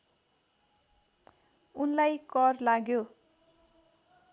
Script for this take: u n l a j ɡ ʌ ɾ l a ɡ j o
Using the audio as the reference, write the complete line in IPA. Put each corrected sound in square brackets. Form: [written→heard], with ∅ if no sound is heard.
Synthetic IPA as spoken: u n l a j [ɡ→k] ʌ [ɾ→r] l a ɡ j o